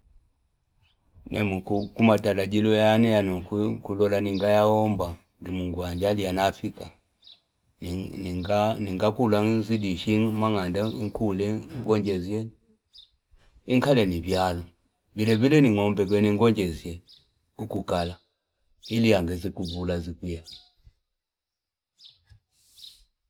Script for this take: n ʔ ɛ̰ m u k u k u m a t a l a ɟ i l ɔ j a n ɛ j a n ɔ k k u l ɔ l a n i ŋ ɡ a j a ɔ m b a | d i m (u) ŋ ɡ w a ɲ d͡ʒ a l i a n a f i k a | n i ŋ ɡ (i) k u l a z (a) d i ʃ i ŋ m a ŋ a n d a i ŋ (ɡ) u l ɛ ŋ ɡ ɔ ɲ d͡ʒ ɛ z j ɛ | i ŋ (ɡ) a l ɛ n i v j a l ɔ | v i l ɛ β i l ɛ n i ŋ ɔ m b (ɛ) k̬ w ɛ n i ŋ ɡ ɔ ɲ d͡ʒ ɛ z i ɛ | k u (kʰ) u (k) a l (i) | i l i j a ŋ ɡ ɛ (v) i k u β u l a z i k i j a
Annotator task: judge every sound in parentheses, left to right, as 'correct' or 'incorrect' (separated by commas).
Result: correct, incorrect, incorrect, incorrect, incorrect, correct, incorrect, correct, incorrect, incorrect